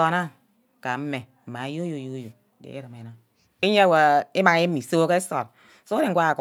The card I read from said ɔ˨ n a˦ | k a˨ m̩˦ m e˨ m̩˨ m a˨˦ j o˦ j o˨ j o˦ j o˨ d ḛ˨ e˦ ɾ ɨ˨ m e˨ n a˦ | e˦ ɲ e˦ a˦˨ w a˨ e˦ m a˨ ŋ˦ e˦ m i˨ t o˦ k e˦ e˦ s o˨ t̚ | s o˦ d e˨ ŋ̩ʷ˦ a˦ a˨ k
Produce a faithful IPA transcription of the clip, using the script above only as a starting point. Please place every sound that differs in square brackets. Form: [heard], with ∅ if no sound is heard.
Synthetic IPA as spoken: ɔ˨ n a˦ | k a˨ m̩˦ m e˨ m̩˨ m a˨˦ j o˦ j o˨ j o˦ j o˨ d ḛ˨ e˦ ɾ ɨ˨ m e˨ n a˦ | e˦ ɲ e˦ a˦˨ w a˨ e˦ m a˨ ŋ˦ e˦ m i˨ [s] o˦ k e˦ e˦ s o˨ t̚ | s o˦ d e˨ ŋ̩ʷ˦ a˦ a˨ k